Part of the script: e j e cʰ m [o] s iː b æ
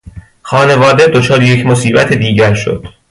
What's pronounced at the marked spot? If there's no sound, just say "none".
o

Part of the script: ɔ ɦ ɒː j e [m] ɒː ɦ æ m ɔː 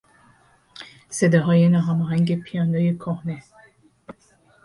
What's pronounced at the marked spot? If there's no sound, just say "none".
n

